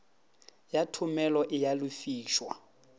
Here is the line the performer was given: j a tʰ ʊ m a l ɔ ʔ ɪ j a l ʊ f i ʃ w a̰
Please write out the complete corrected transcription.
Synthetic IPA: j a tʰ ʊ m ɛ l ɔ ʔ ɪ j a l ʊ f iː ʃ w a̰